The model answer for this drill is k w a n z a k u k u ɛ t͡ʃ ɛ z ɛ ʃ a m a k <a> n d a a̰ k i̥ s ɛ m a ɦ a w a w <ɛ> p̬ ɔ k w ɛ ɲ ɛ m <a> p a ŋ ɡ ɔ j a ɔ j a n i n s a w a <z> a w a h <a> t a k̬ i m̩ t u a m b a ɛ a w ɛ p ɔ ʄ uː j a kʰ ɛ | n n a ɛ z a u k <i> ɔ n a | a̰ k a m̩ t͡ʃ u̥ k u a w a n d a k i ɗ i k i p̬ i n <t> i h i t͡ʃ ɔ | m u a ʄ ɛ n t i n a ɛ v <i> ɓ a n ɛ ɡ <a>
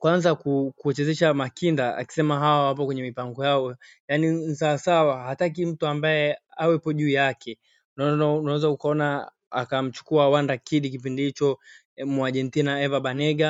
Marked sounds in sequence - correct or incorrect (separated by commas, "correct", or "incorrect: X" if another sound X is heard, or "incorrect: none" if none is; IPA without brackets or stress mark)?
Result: incorrect: i, incorrect: a, incorrect: i, incorrect: s, correct, incorrect: a, incorrect: d, incorrect: a, correct